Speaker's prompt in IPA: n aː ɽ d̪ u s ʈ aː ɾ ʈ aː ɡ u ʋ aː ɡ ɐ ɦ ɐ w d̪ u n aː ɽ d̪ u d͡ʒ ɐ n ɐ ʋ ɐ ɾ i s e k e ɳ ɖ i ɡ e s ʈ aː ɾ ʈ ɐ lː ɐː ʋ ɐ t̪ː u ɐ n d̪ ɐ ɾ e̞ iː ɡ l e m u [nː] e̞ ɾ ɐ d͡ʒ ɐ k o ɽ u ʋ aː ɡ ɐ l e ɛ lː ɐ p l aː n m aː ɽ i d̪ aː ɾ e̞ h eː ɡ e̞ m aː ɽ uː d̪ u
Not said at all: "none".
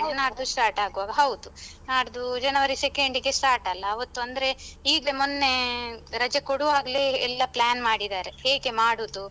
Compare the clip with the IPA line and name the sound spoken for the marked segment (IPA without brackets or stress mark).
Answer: nː